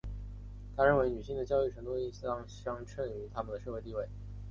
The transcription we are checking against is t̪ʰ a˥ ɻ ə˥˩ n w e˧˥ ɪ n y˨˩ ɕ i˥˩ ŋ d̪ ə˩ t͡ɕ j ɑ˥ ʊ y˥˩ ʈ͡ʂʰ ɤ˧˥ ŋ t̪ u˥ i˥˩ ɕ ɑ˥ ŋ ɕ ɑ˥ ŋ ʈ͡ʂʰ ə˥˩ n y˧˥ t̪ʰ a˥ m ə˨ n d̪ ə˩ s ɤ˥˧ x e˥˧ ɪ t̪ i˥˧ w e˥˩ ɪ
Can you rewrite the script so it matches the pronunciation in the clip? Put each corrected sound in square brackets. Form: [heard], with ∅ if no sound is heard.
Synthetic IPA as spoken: t̪ʰ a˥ ɻ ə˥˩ n w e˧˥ ɪ n y˨˩ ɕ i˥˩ ŋ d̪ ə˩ t͡ɕ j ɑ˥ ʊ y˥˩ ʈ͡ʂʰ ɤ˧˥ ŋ t̪ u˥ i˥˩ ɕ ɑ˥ ŋ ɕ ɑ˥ ŋ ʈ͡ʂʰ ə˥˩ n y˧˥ t̪ʰ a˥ m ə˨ n d̪ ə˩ [ʂ] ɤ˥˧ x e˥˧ ɪ t̪ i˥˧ w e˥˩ ɪ